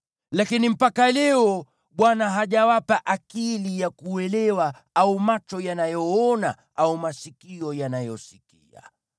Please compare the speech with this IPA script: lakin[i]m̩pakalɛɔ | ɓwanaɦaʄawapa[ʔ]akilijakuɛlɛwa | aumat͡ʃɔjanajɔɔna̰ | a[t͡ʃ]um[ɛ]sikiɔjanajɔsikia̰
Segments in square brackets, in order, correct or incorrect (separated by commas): correct, correct, incorrect, incorrect